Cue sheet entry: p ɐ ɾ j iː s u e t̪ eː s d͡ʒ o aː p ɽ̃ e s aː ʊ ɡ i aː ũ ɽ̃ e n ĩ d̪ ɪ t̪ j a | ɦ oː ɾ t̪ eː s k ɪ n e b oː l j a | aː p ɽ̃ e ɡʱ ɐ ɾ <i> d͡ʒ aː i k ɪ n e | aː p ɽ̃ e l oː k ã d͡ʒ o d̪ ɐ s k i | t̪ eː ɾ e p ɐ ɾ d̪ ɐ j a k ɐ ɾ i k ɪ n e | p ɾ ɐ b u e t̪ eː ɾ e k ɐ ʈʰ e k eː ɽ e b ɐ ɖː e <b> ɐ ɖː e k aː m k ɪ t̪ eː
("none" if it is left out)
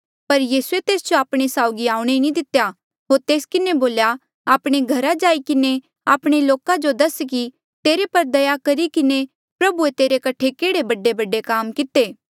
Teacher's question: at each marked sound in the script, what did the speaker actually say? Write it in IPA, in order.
a, b

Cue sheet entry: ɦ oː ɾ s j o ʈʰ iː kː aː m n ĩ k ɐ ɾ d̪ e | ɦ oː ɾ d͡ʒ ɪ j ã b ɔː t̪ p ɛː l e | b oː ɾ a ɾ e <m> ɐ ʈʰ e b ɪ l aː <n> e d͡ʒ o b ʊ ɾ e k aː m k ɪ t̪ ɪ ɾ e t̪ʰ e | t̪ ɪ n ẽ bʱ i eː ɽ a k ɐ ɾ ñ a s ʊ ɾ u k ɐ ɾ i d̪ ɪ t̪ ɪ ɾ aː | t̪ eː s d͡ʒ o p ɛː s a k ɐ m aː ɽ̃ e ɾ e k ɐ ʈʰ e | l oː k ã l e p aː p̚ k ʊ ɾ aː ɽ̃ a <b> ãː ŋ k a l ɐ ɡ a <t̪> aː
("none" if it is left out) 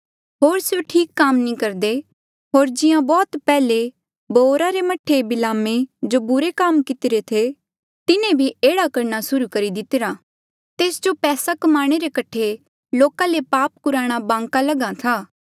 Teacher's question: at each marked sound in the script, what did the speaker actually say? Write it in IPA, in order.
m, m, b, t̪ʰ

